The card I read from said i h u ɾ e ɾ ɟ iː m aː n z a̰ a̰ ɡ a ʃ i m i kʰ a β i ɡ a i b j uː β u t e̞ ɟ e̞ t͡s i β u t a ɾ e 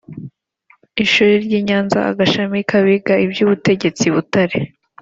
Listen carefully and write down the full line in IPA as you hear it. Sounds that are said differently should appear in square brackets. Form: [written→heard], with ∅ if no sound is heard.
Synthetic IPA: i [h→ʃ] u ɾ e ɾ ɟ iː [m→ɲ] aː n z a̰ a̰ ɡ a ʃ [i→a] m i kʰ a β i ɡ a i b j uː β u t e̞ ɟ e̞ t͡s i β u t a ɾ e